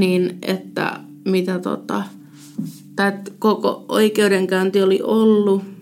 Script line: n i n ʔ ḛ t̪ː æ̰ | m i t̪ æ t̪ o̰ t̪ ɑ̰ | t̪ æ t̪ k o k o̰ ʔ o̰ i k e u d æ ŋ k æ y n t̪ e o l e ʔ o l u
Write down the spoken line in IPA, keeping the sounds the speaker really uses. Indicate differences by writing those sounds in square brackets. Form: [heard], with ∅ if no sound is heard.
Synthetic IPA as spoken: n i n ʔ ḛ t̪ː æ̰ | m i t̪ æ t̪ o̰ t̪ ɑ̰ | t̪ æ t̪ k o k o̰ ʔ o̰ i k e u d [e] ŋ k æ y n t̪ [i] o l [i] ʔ o [lː] u